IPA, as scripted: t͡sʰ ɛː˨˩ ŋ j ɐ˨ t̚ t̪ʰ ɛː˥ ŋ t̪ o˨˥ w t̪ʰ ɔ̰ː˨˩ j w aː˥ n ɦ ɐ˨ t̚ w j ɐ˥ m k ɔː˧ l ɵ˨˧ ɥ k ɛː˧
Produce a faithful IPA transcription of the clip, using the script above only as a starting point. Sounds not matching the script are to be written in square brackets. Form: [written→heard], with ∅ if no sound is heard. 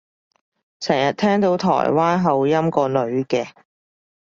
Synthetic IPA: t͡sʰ ɛː˨˩ ŋ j ɐ˨ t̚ t̪ʰ ɛː˥ ŋ t̪ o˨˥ w t̪ʰ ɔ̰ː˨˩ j w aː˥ n ɦ ɐ˨ [t̚→∅] w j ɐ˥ m k ɔː˧ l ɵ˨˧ ɥ k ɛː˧